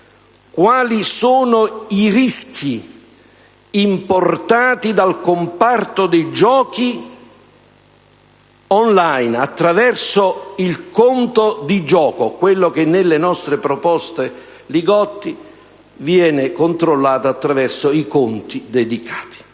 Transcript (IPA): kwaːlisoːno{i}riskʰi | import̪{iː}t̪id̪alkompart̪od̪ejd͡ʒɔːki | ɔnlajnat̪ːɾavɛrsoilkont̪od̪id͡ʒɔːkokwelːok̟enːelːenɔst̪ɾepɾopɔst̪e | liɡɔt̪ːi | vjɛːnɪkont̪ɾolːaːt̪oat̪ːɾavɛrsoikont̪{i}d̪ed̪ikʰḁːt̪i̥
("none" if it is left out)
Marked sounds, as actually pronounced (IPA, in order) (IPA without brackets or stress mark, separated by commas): i, aː, i